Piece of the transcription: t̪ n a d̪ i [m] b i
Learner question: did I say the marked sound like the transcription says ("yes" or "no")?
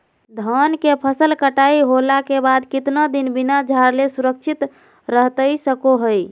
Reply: no